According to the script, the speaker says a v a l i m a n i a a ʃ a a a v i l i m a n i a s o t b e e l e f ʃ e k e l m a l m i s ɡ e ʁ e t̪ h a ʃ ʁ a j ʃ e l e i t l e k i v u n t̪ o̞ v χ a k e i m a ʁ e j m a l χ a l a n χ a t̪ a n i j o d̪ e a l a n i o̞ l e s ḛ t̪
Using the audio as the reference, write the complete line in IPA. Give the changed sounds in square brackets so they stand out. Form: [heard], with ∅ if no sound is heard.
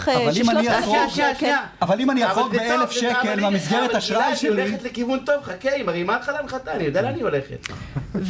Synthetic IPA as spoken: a v a l i m a n i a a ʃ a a a v [a] l i m a n i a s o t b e e l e f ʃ e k e l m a [∅] m i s ɡ e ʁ e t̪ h a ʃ ʁ a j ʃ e l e i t l e k i v u n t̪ o̞ v χ a k e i m a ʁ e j m a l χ a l a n χ a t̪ a n i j o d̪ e a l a n i o̞ l e [χ] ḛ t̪